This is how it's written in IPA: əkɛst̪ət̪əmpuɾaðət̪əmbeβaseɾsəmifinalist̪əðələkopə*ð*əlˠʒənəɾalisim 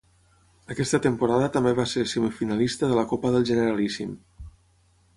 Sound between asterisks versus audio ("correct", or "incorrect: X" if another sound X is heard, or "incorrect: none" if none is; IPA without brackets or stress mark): correct